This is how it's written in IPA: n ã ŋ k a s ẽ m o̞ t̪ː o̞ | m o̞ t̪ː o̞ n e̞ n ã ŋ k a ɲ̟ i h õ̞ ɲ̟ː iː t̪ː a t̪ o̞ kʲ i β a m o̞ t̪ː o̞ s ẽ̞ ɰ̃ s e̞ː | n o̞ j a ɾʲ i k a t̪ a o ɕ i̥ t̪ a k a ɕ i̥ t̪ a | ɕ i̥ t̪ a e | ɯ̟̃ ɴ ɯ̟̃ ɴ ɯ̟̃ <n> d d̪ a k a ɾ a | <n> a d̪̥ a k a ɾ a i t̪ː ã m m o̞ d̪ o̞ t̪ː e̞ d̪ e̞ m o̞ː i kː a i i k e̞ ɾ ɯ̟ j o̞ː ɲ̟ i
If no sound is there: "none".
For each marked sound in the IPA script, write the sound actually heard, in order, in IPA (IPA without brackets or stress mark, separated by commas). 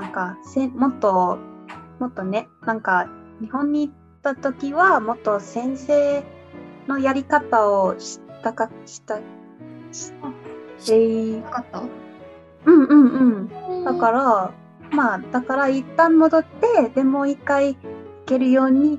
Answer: ɴ, m